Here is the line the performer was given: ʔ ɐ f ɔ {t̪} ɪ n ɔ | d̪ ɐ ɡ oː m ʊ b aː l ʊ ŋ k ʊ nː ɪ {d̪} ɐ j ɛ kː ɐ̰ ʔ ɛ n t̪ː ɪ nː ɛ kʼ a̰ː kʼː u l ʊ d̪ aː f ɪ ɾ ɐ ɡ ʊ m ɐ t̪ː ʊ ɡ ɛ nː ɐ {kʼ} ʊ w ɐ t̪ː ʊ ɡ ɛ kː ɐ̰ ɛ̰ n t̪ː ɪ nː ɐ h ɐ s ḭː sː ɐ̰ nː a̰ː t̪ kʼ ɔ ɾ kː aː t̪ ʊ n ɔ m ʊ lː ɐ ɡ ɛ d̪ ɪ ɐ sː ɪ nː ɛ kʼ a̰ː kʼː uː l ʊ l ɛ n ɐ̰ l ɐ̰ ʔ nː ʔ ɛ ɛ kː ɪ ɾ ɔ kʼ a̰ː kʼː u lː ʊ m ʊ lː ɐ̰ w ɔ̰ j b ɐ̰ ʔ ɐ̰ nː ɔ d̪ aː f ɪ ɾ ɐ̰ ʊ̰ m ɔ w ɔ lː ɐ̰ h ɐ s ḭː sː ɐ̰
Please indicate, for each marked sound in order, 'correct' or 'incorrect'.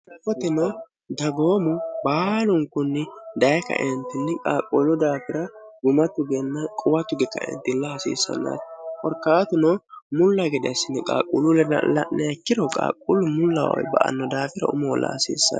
correct, correct, correct

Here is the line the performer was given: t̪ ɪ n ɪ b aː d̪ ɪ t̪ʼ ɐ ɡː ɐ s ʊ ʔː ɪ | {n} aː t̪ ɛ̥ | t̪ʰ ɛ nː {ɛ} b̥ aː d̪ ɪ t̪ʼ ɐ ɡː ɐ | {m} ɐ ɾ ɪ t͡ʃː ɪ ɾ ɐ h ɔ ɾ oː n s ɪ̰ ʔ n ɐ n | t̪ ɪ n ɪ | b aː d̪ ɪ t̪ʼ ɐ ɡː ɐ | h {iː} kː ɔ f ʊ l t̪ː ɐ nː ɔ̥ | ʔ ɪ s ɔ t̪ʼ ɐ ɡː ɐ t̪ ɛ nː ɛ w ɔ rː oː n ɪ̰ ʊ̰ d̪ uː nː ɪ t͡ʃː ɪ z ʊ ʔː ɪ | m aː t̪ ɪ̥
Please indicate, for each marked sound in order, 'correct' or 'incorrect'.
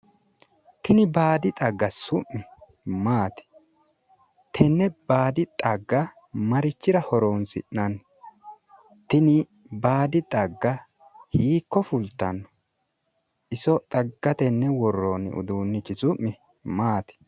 incorrect: m, correct, correct, correct

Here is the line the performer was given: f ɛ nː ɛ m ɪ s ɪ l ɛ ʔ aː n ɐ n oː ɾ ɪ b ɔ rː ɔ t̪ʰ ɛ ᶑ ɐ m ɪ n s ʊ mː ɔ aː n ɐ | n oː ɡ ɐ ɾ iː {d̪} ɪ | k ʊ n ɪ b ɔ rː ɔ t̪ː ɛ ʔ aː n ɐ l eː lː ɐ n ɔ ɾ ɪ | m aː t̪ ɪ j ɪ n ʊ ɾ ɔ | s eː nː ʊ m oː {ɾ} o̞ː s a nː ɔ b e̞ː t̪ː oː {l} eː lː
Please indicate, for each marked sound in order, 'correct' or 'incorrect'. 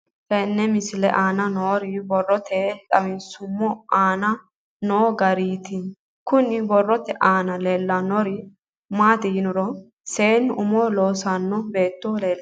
incorrect: t̪, incorrect: l, correct

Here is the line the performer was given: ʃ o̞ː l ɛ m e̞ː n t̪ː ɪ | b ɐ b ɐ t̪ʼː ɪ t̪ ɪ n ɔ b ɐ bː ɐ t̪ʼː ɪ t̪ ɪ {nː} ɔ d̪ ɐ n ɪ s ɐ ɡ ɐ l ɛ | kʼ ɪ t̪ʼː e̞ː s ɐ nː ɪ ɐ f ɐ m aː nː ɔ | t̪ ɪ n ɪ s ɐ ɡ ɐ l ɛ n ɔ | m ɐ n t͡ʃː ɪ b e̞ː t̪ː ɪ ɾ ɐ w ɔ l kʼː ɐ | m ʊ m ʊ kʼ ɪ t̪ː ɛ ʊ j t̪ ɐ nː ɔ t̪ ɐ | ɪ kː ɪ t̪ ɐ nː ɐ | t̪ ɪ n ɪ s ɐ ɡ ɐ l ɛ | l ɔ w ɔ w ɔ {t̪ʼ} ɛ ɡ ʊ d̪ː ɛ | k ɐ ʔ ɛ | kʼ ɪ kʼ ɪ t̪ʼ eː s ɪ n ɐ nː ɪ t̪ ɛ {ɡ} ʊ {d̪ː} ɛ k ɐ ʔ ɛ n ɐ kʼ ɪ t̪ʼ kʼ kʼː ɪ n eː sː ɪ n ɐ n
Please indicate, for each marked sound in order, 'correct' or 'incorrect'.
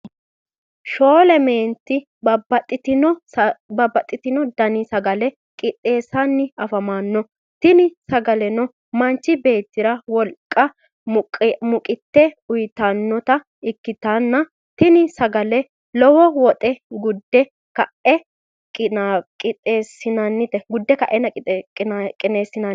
incorrect: n, correct, correct, correct

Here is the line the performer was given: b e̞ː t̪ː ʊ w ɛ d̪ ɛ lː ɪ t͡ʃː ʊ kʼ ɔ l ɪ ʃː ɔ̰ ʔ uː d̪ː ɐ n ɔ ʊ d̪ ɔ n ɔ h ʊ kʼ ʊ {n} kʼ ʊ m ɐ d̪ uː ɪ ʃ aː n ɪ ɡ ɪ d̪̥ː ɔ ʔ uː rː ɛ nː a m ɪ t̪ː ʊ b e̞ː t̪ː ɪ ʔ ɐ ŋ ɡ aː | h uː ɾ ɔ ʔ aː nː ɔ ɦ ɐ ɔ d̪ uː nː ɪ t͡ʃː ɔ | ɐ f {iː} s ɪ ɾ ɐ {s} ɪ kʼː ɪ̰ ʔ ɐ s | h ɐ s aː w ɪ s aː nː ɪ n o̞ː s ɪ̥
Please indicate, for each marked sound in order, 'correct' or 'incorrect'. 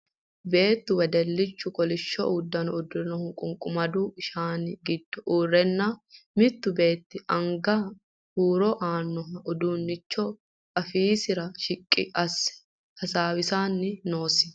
incorrect: ŋ, correct, incorrect: ʃ

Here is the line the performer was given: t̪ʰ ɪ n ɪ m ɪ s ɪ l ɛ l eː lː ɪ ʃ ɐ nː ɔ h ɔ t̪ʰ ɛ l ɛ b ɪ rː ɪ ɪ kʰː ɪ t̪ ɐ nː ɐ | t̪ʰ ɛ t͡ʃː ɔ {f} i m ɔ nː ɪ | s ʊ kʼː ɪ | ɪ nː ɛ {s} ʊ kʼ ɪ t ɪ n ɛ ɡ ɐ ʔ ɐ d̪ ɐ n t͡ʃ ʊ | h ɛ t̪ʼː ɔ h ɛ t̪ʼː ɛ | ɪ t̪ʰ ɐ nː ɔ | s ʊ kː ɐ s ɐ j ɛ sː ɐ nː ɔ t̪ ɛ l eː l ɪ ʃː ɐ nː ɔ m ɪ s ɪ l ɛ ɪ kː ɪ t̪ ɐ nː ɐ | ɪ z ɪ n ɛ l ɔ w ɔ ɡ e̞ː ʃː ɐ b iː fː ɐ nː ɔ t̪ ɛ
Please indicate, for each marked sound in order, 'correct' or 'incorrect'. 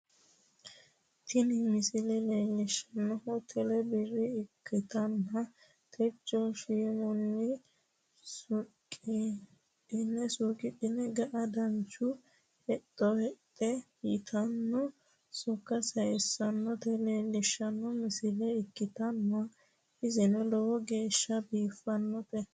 incorrect: ʃ, correct

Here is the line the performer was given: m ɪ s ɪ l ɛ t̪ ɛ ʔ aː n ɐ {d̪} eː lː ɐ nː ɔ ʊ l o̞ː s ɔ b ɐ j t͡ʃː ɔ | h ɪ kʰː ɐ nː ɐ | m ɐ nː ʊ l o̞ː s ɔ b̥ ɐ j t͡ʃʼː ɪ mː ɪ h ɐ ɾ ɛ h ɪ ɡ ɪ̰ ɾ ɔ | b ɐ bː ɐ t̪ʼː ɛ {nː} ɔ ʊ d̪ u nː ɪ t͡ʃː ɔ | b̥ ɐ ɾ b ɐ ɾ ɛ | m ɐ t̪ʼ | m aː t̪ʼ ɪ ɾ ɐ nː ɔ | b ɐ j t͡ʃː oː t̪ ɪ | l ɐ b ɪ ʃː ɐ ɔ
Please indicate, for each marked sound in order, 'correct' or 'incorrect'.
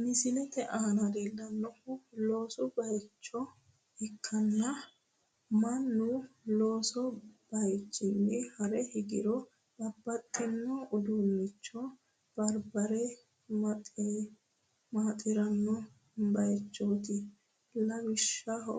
correct, correct

